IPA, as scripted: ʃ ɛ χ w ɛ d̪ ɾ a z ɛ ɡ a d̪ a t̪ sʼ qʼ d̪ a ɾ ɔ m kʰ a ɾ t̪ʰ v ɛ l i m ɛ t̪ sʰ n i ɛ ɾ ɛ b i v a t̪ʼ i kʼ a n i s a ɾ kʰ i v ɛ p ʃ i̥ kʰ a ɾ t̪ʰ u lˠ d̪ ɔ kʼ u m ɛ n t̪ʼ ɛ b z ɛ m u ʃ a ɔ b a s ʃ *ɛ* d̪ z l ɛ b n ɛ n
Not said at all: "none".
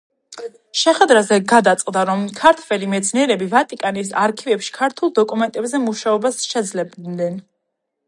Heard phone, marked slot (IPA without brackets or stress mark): ɛ